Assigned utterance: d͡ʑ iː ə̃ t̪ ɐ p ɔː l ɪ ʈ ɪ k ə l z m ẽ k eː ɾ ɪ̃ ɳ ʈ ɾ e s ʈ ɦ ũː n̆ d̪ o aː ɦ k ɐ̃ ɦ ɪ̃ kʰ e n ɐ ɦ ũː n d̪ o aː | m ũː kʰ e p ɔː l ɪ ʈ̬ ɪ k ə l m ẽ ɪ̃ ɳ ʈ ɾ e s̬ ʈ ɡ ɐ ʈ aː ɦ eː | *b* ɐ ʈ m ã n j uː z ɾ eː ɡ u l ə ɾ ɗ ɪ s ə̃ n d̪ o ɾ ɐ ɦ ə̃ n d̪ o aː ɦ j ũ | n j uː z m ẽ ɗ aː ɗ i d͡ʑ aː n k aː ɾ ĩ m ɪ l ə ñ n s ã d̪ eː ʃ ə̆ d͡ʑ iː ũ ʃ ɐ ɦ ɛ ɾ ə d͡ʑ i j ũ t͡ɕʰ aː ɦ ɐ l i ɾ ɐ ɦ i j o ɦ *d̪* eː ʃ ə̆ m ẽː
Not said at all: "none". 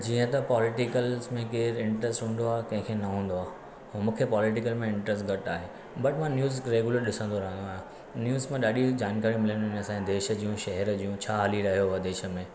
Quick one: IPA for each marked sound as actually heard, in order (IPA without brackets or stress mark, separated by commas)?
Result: b, d̪